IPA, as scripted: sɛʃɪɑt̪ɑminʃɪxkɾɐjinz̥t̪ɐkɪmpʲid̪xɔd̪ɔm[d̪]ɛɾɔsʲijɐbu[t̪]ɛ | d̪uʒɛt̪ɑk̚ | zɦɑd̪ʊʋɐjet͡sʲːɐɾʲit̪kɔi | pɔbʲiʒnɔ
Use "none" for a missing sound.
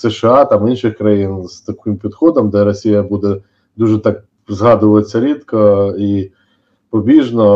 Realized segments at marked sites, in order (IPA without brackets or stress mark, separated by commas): d̪, d̪